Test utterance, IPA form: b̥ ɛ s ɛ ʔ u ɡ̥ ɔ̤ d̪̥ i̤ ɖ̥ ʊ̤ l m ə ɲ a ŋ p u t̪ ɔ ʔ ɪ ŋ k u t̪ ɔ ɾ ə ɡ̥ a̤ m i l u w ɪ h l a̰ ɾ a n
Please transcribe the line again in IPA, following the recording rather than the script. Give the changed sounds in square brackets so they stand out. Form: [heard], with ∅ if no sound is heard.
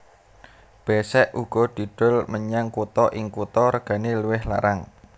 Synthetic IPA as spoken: b̥ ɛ s ɛ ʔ u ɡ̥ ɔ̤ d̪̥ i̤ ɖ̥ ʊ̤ l m ə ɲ a ŋ [k] u t̪ ɔ ʔ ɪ ŋ k u t̪ ɔ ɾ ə ɡ̥ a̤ [n] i l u w ɪ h l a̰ ɾ a [ŋ]